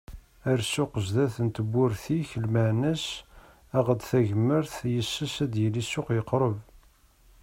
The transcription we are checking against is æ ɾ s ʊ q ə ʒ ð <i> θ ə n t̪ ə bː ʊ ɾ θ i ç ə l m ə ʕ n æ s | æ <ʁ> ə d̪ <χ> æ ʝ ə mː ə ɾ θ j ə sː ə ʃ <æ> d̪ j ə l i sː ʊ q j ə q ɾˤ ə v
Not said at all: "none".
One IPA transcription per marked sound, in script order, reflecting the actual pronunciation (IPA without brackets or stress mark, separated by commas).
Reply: æ, ʁ, θ, æ